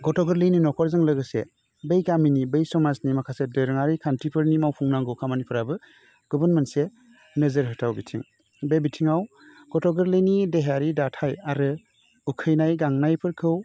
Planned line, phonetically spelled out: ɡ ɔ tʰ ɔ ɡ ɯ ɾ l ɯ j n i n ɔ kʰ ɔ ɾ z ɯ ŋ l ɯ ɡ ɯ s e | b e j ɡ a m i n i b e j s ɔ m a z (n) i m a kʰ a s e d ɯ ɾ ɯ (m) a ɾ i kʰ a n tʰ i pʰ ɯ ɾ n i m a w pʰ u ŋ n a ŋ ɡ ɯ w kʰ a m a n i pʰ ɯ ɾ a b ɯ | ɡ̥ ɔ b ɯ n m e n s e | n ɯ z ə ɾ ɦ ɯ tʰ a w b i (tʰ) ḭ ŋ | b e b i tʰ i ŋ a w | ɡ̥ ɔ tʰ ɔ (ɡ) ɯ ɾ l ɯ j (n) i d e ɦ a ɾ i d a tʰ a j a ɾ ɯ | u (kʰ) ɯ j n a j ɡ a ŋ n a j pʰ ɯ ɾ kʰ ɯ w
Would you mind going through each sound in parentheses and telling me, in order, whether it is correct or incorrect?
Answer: correct, incorrect: ŋ, correct, correct, correct, correct

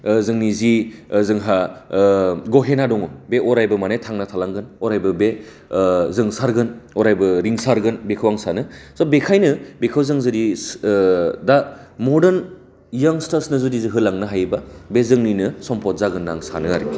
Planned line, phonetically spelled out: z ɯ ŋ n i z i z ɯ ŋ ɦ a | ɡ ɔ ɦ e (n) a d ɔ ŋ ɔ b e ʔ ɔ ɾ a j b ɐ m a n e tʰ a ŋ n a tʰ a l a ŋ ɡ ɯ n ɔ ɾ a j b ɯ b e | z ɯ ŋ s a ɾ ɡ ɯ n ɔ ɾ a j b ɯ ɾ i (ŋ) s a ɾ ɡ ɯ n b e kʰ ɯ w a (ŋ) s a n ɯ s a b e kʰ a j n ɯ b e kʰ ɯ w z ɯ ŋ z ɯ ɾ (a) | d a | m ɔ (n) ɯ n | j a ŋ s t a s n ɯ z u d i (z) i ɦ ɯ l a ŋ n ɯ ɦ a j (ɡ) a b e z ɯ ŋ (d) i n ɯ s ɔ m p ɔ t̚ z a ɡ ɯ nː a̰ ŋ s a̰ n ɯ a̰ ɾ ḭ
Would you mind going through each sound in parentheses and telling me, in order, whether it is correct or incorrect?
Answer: correct, correct, correct, incorrect: i, incorrect: d, correct, incorrect: b, incorrect: n

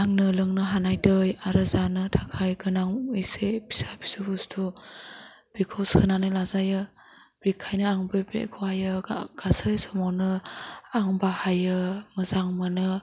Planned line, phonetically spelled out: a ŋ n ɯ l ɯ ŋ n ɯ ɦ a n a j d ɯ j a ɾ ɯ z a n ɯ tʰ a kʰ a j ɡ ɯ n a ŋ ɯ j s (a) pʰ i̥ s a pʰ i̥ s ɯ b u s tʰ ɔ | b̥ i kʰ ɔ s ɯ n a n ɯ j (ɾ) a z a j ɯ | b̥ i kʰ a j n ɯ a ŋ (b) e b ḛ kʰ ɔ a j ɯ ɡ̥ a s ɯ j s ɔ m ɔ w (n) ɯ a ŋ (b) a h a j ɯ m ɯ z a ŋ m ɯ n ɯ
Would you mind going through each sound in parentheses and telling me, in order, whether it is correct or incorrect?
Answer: incorrect: e, incorrect: l, correct, correct, correct

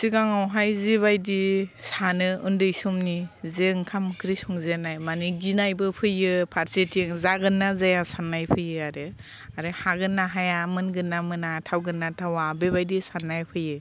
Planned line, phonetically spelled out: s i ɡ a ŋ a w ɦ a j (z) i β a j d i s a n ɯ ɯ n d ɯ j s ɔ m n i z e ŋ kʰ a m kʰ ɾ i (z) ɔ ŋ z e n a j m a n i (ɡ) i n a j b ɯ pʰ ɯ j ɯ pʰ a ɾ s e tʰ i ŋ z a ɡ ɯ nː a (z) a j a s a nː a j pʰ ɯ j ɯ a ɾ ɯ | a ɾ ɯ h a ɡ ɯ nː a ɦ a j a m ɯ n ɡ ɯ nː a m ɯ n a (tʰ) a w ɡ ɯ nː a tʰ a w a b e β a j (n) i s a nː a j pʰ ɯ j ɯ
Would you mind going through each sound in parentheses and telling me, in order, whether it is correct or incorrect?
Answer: correct, incorrect: s, correct, correct, correct, incorrect: d

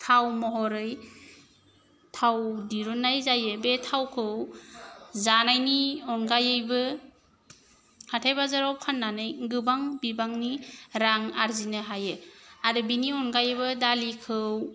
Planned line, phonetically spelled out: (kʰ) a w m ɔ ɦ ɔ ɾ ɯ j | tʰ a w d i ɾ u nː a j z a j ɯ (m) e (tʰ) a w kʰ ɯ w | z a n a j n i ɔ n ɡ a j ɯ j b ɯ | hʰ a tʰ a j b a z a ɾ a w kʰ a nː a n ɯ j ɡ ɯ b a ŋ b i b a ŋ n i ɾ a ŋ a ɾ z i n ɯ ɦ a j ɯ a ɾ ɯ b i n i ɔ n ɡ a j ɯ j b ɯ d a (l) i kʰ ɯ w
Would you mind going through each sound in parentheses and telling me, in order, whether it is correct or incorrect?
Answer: incorrect: tʰ, incorrect: b, correct, correct

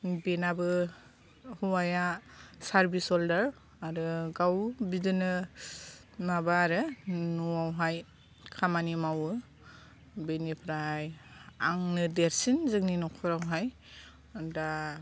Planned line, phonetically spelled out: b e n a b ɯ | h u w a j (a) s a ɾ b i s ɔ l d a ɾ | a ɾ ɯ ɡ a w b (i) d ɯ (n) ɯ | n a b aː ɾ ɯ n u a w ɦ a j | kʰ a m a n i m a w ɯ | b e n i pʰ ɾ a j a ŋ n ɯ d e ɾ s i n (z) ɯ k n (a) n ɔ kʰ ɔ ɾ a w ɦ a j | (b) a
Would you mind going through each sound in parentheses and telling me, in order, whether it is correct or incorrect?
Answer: correct, correct, correct, correct, incorrect: i, incorrect: d

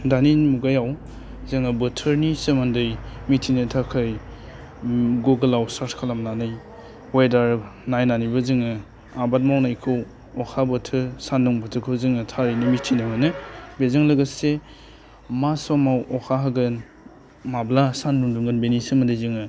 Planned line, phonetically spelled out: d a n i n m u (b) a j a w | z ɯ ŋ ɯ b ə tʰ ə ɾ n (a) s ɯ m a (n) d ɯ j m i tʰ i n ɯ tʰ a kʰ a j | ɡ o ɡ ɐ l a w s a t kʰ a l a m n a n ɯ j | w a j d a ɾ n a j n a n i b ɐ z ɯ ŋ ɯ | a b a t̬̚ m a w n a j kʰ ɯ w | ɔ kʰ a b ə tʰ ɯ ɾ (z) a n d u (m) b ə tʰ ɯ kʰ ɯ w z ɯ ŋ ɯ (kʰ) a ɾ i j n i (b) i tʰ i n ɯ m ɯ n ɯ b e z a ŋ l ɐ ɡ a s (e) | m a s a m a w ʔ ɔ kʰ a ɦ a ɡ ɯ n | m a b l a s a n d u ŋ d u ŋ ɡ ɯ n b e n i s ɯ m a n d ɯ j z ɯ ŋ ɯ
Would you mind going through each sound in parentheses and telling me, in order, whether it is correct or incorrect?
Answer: incorrect: ɡ, incorrect: i, correct, incorrect: s, incorrect: ŋ, incorrect: tʰ, incorrect: m, correct

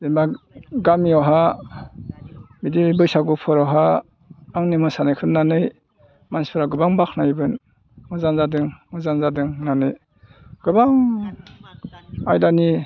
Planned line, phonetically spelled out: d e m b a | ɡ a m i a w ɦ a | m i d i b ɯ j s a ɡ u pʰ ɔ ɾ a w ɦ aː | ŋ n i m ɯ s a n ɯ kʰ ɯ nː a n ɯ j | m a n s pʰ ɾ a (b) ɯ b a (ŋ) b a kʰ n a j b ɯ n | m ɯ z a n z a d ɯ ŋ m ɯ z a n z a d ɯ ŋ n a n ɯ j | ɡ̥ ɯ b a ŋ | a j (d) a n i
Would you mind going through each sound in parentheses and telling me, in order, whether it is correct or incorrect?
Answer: incorrect: ɡ, correct, correct

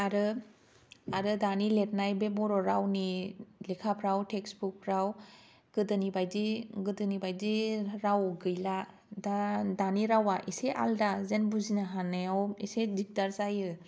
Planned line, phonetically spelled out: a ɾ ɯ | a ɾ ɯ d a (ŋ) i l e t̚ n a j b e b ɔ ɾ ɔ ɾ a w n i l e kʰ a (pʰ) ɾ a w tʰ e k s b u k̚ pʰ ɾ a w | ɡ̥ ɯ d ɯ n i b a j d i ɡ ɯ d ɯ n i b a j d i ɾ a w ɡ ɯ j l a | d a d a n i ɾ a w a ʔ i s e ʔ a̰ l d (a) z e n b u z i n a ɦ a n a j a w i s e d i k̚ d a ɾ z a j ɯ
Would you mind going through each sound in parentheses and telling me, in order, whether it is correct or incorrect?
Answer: incorrect: n, correct, correct

